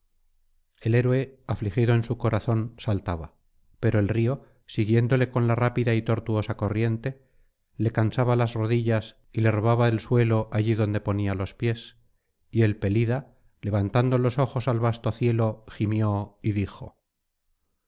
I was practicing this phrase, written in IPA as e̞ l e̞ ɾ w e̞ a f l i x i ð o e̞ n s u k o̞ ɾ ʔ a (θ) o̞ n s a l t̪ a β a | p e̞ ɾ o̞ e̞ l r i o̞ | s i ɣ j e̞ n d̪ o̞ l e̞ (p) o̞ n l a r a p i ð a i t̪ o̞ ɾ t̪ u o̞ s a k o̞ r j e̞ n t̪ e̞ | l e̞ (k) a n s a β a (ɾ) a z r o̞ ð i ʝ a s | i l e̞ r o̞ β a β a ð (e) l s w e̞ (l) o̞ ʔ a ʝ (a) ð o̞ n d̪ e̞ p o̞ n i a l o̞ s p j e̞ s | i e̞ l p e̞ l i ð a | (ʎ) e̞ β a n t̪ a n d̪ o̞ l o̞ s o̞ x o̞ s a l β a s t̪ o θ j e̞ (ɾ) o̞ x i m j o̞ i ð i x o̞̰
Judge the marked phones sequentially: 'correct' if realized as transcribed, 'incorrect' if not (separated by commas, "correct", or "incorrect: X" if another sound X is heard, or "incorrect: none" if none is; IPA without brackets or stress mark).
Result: correct, incorrect: k, correct, incorrect: l, correct, correct, incorrect: i, incorrect: l, incorrect: l